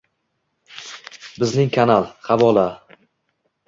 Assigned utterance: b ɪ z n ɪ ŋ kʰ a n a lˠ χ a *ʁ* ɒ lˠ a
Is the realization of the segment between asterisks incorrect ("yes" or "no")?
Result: yes